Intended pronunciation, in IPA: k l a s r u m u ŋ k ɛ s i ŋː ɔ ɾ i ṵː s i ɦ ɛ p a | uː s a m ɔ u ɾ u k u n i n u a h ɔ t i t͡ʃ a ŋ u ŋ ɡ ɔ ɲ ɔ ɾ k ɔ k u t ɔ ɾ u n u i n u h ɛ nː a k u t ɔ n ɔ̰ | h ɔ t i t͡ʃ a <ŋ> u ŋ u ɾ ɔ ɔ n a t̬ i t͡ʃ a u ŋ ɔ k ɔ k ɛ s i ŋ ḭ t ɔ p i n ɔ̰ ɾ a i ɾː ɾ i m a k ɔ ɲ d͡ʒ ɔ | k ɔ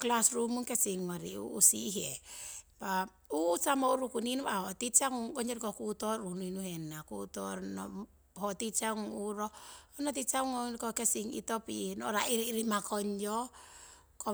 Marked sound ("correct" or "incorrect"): correct